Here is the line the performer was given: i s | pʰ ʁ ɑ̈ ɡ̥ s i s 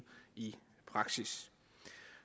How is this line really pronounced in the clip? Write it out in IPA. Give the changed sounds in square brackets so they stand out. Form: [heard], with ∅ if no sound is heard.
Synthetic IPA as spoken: i [∅] | pʰ ʁ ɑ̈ ɡ̥ s i s